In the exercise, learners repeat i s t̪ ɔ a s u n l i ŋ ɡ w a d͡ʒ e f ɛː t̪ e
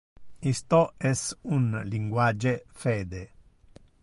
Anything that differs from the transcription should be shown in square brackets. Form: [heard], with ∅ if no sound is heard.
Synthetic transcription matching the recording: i s t̪ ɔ [ɛ] s u n l i ŋ ɡ w a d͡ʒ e f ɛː [d̪] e